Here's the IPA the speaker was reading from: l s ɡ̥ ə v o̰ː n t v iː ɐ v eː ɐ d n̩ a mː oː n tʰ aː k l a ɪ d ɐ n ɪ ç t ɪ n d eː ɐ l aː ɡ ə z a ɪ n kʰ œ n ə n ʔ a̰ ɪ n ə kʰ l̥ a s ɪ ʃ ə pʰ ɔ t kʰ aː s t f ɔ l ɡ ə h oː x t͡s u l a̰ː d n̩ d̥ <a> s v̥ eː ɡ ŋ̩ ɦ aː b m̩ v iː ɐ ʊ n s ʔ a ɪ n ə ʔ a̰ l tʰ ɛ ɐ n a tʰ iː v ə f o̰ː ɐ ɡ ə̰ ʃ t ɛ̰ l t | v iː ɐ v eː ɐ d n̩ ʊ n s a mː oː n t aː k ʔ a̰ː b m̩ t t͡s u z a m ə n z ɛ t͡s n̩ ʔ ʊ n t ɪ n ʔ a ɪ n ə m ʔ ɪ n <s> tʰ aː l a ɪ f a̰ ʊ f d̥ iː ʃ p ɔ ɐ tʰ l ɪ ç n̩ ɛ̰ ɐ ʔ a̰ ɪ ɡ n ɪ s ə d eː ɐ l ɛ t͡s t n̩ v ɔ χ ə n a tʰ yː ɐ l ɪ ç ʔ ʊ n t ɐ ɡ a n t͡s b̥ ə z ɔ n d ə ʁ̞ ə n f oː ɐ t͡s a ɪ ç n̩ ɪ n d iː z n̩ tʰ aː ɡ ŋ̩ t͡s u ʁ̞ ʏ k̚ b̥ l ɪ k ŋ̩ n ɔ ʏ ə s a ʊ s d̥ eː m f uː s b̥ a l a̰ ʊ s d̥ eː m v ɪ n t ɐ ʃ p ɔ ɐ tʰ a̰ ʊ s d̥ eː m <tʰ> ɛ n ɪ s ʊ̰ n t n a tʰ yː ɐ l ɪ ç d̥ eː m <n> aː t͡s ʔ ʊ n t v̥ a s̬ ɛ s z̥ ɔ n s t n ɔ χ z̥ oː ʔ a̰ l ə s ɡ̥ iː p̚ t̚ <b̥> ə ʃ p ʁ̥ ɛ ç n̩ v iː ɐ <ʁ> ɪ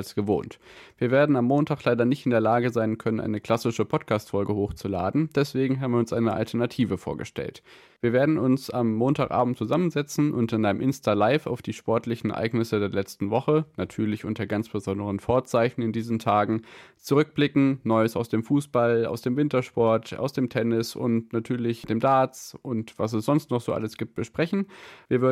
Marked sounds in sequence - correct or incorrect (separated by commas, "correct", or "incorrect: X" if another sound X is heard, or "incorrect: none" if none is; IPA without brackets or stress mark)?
incorrect: ɛ, correct, correct, incorrect: d, correct, incorrect: v